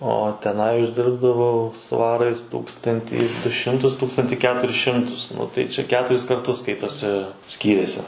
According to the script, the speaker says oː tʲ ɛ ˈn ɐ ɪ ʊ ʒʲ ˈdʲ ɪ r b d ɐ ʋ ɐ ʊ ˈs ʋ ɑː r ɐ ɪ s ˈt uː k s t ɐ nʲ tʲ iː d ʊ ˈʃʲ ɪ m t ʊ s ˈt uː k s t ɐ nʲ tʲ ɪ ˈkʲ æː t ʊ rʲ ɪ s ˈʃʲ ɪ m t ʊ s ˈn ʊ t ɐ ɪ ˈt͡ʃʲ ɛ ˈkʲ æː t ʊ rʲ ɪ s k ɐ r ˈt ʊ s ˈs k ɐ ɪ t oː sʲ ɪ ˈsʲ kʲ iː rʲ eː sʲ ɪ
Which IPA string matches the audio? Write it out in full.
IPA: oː tʲ ɛ ˈn ɐ ɪ ʊ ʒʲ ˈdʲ ɪ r b d ɐ ʋ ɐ ʊ ˈs ʋ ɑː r ɐ ɪ s ˈt uː k s t ɐ nʲ tʲ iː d ʊ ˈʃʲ ɪ m t ʊ s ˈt uː k s t ɐ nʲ tʲ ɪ ˈkʲ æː t ʊ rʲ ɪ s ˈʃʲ ɪ m t ʊ s ˈn ʊ t ɐ ɪ ˈt͡ʃʲ ɛ ˈkʲ æː t ʊ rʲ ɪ s k ɐ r ˈt ʊ s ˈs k ɐ ɪ t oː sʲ ɪ ˈsʲ kʲ iː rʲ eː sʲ ɪ